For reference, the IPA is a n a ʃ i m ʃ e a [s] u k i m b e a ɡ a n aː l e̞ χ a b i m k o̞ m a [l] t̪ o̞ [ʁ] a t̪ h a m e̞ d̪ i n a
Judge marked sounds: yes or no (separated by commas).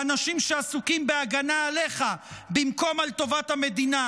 yes, yes, no